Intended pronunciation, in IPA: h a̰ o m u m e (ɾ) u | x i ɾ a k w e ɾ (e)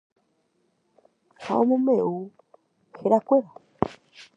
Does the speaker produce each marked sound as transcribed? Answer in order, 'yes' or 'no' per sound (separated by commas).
no, no